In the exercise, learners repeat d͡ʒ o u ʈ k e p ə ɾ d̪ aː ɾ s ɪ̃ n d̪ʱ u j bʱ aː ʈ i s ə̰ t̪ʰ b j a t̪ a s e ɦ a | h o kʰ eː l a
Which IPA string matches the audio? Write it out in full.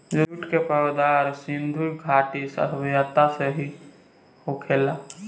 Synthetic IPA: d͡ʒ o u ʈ k e p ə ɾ d̪ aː ɾ s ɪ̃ n d̪ʱ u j ɡʱ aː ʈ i s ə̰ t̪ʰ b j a t̪ a s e ɦ i | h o kʰ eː l a